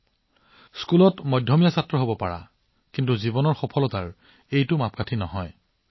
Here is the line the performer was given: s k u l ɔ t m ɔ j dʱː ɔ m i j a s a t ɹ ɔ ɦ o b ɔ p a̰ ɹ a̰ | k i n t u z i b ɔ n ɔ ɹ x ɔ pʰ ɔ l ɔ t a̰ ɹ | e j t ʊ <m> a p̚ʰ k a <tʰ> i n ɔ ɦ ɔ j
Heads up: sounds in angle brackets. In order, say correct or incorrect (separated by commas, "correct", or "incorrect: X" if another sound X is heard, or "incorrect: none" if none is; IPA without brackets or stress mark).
correct, correct